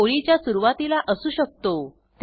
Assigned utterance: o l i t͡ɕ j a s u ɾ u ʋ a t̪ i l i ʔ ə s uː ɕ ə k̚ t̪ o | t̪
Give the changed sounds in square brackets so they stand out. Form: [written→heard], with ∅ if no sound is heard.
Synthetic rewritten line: o [l→ɭ] i t͡ɕ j a s u ɾ u ʋ a t̪ i l [i→a] ʔ ə s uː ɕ ə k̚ t̪ o | t̪